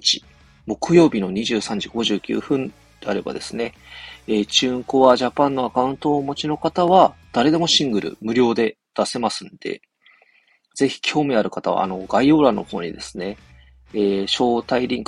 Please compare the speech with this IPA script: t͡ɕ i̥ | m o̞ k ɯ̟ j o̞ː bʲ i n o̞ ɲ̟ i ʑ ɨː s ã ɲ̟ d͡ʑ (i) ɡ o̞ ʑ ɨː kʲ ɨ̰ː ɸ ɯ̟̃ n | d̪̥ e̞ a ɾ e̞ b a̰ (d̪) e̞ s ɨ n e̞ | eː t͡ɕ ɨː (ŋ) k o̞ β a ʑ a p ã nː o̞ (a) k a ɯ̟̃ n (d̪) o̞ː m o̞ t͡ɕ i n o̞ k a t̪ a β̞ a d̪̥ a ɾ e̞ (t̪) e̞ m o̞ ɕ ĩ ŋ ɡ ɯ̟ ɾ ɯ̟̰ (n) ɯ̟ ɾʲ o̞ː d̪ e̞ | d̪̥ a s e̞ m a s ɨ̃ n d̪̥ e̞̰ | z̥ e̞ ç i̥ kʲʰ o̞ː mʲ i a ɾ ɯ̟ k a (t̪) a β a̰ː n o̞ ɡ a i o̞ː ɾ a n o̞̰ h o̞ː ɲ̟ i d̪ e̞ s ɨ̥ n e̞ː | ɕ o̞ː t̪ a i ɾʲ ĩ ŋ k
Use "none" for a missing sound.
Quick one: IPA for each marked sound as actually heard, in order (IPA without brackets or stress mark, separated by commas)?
i, d̪, ŋ, a, t̪, d̪, m, t̪